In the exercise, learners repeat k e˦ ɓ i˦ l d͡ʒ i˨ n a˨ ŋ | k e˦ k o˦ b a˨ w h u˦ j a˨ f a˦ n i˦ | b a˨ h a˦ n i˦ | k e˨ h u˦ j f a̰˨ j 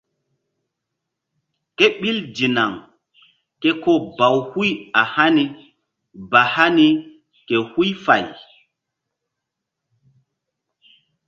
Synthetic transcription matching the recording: k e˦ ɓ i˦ l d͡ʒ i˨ n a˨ ŋ | k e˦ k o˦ b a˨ w h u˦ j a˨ h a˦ n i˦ | b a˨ h a˦ n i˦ | k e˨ h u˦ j f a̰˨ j